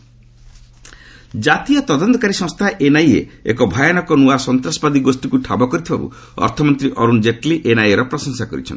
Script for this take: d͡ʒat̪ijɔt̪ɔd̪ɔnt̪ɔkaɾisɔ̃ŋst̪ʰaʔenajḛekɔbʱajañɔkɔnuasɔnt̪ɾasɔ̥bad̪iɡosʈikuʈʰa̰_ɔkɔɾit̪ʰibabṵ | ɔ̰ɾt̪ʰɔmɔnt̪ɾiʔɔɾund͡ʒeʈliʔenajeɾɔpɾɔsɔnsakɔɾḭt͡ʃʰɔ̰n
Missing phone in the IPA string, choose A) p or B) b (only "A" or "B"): B